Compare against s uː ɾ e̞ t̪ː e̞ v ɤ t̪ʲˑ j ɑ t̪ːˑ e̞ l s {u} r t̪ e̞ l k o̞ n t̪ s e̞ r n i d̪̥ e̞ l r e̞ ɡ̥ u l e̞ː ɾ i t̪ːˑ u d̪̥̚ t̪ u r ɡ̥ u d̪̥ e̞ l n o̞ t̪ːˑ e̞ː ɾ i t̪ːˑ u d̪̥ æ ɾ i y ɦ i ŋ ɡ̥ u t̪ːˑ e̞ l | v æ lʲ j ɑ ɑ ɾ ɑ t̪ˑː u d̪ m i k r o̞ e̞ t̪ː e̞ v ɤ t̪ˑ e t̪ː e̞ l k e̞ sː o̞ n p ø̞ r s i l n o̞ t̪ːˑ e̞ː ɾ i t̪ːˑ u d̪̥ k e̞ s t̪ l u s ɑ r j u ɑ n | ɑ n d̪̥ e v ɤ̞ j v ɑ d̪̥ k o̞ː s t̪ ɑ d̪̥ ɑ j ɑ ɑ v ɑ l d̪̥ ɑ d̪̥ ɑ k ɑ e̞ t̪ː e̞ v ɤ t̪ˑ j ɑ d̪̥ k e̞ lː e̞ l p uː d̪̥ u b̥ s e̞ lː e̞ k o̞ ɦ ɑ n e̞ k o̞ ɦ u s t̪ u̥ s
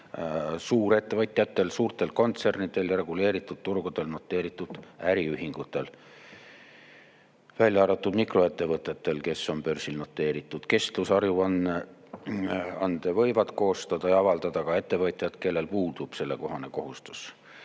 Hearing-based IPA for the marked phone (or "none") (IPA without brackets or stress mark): uː